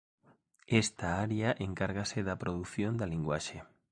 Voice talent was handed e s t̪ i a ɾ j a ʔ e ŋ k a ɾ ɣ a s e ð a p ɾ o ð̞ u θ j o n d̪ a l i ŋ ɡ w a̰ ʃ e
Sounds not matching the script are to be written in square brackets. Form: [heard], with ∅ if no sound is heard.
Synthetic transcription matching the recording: e s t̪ [a] a ɾ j a ʔ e ŋ k a ɾ ɣ a s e ð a p ɾ o ð̞ u θ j o n d̪ a l i ŋ ɡ w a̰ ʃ e